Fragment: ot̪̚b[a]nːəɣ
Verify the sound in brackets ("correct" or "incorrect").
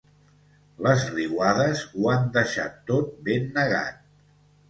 incorrect